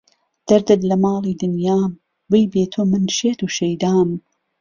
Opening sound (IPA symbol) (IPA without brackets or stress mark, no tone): d̪̥